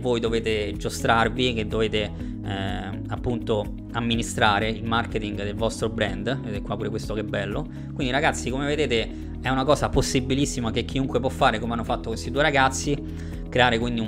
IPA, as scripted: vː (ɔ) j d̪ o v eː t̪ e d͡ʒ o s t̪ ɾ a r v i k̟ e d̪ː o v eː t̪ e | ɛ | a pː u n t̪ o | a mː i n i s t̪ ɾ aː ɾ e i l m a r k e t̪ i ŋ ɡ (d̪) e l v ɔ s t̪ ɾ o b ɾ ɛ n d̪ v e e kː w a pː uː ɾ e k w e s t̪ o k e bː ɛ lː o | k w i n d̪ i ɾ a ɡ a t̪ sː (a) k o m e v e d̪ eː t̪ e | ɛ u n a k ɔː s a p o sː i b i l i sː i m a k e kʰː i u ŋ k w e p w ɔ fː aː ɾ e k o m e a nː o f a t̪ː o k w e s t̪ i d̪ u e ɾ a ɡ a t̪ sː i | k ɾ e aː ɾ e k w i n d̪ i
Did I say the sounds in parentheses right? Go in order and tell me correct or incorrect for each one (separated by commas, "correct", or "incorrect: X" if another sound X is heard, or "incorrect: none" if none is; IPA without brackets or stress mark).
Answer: incorrect: o, correct, incorrect: i